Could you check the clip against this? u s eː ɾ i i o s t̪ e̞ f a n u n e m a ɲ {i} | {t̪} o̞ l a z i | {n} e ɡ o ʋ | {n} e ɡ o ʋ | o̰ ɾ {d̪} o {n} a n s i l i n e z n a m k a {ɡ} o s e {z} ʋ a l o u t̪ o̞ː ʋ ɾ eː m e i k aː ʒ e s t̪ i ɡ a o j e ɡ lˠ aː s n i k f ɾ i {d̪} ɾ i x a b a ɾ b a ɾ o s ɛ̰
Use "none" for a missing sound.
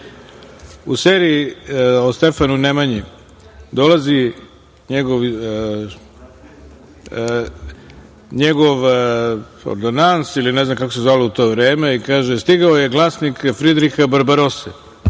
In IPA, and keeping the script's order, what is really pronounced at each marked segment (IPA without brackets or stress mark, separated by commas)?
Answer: i, d̪, ɲ, ɲ, d̪, n, k, z, d̪